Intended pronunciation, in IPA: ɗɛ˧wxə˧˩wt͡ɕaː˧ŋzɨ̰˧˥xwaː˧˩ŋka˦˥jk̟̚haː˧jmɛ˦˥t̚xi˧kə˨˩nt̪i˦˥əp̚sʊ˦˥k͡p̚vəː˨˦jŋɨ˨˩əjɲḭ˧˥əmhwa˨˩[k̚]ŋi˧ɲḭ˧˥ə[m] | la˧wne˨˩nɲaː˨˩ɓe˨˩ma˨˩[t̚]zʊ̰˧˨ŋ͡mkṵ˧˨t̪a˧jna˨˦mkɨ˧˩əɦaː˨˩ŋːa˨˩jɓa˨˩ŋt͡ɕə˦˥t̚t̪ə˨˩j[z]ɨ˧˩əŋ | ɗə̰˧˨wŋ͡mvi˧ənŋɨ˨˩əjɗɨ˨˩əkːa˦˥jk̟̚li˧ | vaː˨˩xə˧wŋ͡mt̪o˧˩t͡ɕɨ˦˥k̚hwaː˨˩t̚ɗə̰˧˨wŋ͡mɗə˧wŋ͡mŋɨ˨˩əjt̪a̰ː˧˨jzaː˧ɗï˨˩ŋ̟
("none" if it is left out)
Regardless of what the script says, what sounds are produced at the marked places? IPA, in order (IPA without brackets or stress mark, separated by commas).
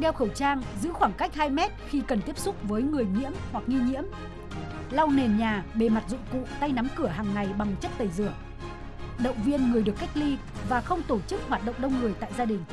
k̚, m, t̚, z